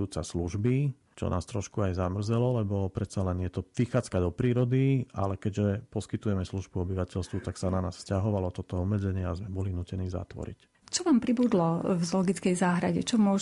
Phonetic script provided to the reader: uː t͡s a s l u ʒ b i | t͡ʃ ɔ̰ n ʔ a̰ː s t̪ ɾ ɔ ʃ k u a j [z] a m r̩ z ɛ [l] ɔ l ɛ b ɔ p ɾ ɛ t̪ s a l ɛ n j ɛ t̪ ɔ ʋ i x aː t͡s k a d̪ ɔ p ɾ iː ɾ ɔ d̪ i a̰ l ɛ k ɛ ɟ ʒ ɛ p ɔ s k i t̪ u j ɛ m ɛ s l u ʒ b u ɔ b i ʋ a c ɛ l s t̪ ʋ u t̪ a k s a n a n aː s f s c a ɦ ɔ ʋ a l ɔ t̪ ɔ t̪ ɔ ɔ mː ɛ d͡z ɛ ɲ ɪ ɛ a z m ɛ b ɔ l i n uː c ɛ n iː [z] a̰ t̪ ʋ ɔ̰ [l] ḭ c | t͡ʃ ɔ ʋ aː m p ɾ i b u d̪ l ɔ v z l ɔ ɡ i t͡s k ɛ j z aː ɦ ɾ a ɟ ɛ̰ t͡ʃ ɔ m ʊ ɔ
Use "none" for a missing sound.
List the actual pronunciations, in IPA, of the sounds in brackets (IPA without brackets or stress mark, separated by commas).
z, l, z, ɾ